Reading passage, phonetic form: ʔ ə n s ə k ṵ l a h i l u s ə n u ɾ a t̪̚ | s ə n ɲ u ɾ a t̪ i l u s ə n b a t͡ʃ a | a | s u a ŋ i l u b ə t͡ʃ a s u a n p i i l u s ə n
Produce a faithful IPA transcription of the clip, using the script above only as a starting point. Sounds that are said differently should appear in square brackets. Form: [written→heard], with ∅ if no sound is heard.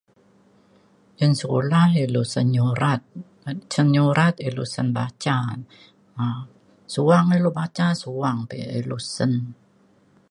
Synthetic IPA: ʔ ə n s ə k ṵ l a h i l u s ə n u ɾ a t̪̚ | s ə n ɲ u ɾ a t̪ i l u s ə n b a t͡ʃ a | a | s u a ŋ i l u b [ə→a] t͡ʃ a s u a [n→ŋ] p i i l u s ə n